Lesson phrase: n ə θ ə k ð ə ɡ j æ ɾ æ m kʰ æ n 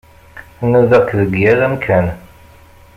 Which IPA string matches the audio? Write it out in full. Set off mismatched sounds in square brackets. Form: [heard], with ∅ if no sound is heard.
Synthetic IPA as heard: n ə [ð] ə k ð ə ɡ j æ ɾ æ m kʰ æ n